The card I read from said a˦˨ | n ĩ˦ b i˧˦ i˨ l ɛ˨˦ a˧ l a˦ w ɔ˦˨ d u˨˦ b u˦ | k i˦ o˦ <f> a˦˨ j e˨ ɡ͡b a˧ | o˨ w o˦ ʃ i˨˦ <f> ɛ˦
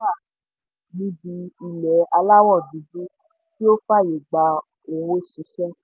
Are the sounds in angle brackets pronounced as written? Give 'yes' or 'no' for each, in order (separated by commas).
yes, no